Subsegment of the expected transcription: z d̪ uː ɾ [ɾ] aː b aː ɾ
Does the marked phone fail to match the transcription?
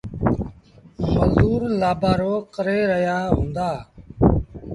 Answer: yes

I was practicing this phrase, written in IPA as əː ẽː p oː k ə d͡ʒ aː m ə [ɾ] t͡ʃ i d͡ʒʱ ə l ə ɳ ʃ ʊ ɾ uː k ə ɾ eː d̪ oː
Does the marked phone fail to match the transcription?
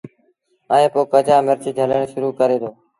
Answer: no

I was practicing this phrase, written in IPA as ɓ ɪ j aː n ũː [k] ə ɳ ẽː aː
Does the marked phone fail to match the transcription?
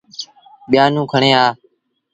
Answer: yes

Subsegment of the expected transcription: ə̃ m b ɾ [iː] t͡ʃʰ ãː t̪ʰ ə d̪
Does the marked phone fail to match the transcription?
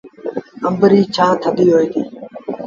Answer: no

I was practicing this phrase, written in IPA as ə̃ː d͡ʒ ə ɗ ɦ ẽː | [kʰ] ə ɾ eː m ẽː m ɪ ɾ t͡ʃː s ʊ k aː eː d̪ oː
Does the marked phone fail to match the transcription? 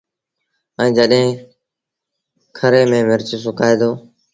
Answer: no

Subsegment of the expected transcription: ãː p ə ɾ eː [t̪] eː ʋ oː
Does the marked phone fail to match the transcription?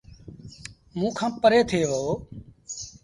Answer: yes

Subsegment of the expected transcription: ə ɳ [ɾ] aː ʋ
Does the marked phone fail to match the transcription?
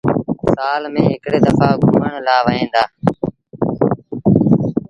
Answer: yes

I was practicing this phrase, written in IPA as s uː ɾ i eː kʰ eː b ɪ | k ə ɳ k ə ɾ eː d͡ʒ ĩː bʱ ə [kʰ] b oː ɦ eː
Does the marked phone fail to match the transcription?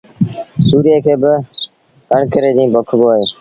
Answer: no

